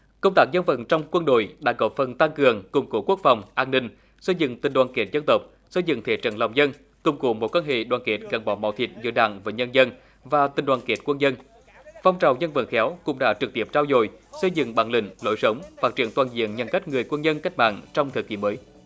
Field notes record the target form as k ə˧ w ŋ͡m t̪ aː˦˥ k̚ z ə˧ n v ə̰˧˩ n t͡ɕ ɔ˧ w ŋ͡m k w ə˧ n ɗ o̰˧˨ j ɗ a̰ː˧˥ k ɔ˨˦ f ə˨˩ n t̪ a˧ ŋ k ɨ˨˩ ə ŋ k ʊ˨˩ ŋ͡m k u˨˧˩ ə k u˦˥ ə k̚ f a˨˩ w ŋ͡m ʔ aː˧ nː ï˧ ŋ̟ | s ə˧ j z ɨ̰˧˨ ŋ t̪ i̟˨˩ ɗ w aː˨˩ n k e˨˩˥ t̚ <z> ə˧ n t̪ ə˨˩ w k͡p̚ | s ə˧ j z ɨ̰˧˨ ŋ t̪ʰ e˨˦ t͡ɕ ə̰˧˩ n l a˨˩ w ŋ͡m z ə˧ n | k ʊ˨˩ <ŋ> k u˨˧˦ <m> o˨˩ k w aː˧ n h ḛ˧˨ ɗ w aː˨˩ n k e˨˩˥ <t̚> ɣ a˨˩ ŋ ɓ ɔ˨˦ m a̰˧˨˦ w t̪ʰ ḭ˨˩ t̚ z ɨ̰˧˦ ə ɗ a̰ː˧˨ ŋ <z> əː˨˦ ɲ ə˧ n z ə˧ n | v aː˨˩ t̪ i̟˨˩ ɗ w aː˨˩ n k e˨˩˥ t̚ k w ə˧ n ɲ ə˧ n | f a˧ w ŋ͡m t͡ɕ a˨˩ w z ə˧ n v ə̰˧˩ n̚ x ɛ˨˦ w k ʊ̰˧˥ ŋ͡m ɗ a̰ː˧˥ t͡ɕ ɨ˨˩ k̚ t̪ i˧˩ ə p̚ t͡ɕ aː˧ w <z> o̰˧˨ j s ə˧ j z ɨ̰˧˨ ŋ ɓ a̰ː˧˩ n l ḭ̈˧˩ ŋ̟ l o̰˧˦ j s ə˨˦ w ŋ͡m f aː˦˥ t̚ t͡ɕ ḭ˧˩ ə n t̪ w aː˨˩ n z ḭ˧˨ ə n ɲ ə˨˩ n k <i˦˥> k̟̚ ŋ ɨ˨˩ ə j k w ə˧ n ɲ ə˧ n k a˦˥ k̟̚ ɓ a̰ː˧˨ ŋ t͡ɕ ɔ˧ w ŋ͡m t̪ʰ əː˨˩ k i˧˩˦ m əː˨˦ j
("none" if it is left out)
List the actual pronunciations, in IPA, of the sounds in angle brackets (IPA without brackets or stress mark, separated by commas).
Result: z, ŋ͡m, m, t̚, v, z, a˦˥